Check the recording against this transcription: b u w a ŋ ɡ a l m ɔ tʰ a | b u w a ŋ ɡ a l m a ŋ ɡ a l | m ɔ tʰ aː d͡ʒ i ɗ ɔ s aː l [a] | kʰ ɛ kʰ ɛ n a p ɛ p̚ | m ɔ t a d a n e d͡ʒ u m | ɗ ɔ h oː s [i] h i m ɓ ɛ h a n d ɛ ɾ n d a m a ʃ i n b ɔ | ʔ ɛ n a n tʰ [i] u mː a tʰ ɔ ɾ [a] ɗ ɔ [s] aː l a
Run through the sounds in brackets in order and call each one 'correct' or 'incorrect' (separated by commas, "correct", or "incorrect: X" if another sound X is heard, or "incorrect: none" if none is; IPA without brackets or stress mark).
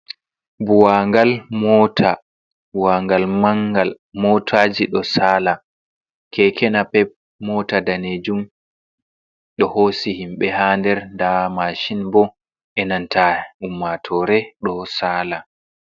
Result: correct, correct, incorrect: a, incorrect: ɛ, correct